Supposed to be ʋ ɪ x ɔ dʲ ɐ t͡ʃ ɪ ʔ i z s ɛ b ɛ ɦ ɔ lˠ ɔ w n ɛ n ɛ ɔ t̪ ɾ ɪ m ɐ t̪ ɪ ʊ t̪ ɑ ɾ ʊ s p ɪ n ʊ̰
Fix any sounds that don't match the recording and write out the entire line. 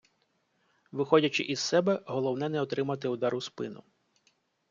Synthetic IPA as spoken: ʋ ɪ x ɔ dʲ ɐ t͡ʃ ɪ ʔ i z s ɛ b ɛ ɦ ɔ lˠ ɔ w n ɛ n ɛ ɔ t̪ ɾ ɪ m ɐ t̪ ɪ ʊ d̪ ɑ ɾ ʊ s p ɪ n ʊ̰